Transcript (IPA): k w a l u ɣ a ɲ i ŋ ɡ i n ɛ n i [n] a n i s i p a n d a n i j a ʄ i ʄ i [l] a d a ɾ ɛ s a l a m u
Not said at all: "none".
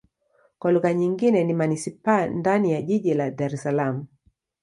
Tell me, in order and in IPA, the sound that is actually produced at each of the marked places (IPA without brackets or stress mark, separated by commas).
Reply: m, l